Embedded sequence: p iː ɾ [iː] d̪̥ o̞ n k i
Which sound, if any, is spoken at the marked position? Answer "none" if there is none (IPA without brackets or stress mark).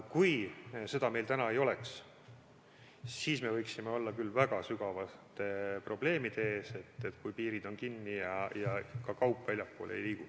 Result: i